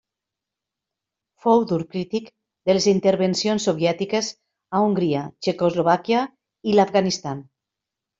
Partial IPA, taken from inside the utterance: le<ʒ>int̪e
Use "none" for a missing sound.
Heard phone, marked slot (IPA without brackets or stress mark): z